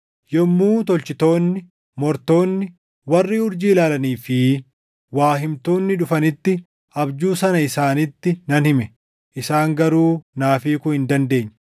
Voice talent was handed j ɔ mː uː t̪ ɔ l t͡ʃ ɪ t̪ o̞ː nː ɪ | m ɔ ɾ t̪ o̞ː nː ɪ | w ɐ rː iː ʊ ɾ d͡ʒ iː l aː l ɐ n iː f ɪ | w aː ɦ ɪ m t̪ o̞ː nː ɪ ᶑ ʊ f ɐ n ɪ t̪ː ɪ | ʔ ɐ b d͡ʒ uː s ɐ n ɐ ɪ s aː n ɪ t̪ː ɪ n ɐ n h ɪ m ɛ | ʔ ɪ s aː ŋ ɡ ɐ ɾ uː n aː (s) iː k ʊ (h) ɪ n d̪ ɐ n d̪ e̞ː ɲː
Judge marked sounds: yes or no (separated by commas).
no, yes